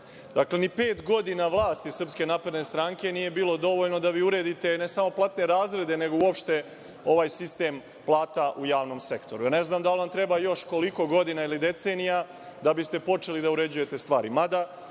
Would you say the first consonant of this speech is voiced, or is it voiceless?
voiced